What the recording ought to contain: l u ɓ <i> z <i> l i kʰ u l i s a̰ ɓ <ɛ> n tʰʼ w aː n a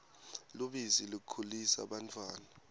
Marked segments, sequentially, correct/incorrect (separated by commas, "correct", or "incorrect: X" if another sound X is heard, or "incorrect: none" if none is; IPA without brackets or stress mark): correct, correct, incorrect: a